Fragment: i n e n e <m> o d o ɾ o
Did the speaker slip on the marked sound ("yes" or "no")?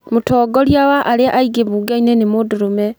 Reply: no